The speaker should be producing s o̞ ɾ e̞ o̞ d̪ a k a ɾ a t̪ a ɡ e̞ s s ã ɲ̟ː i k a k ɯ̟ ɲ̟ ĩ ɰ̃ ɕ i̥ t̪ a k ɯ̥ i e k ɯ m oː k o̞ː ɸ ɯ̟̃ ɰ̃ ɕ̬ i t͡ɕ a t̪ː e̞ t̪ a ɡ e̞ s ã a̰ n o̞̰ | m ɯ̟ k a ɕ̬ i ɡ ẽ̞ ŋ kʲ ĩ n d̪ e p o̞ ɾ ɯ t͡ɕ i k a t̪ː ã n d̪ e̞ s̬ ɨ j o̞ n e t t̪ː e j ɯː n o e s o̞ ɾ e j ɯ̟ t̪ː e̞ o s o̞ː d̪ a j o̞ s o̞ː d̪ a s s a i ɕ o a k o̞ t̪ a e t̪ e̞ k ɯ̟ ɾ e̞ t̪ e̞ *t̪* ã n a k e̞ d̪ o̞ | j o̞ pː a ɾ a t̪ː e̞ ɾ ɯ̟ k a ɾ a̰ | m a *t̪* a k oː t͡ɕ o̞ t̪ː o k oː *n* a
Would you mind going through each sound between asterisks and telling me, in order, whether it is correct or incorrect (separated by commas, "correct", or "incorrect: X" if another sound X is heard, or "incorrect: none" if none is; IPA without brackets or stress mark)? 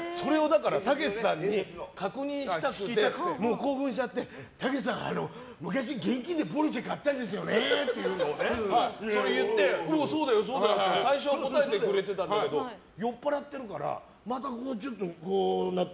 correct, correct, correct